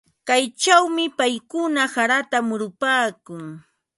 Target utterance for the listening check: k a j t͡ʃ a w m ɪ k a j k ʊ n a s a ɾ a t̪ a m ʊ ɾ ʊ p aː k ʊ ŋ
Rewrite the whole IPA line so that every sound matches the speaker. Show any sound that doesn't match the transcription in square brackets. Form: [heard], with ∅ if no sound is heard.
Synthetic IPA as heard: k a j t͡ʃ a w m ɪ [p] a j k ʊ n a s a ɾ a t̪ a m ʊ ɾ ʊ p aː k ʊ ŋ